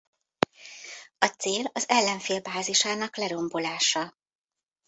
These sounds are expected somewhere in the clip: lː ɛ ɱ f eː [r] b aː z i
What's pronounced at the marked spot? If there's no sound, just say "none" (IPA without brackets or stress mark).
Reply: l